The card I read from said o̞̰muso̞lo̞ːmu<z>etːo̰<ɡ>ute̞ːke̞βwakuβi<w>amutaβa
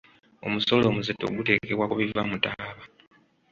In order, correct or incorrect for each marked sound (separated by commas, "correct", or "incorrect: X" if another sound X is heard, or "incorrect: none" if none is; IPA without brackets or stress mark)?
correct, correct, incorrect: v